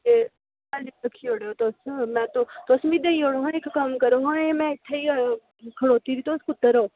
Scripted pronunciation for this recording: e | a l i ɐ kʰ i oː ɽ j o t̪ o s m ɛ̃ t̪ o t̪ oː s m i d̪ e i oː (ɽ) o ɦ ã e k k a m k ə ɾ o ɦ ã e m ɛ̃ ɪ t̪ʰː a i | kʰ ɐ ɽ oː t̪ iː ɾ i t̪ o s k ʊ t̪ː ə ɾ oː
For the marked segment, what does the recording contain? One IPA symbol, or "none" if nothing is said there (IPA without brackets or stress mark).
ɽ